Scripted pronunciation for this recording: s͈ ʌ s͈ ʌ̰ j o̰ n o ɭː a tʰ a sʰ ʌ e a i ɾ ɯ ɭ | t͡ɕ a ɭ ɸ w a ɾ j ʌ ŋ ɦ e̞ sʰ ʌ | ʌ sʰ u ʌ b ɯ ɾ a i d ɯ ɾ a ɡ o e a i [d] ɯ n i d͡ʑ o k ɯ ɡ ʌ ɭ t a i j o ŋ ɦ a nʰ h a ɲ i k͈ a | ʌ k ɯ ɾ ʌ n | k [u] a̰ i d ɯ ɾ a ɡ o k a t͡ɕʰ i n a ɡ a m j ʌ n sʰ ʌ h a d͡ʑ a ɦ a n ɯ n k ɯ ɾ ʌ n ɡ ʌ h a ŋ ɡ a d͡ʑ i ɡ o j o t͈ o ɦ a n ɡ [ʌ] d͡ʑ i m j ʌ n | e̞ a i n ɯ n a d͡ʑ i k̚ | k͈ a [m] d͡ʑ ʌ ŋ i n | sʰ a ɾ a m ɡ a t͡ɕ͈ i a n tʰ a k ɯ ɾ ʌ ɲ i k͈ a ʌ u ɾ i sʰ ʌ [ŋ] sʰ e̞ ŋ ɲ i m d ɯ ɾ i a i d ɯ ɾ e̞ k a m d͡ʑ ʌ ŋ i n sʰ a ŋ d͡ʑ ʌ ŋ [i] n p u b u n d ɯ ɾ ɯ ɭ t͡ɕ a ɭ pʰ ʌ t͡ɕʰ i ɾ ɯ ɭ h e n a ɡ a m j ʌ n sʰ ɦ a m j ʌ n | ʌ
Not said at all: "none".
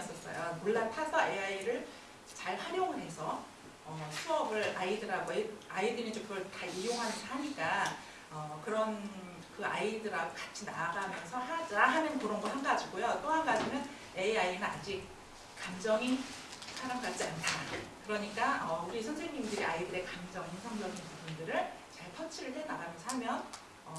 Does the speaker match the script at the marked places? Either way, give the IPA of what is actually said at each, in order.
d, ɯ, a, m, n, i

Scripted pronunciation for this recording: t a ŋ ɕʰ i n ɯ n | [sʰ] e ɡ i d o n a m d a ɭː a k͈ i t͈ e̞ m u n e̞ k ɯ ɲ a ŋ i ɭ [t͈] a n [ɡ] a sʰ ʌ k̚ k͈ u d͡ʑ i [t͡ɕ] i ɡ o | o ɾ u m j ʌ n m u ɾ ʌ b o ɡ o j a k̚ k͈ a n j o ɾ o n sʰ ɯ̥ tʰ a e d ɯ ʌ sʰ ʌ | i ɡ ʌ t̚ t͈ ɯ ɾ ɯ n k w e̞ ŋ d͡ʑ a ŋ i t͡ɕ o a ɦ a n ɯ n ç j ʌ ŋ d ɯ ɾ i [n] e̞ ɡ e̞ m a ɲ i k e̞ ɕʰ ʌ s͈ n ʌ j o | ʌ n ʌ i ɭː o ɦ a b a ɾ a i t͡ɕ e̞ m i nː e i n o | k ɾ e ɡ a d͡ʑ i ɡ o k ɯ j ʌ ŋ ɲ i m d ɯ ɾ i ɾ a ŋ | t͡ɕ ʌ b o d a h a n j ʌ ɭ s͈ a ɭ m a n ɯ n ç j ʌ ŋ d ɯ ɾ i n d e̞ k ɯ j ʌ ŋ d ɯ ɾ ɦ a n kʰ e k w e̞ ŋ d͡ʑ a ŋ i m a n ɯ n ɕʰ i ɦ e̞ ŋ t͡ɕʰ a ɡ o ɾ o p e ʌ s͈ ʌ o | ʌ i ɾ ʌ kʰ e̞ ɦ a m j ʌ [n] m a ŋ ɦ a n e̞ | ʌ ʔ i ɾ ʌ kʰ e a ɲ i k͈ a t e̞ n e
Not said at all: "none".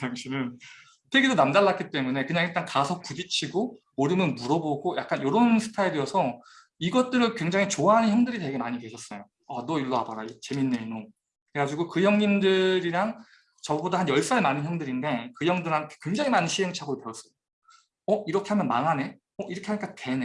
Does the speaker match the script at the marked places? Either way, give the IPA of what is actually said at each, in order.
tʰ, t͈, k, t͡ɕʰ, d, n

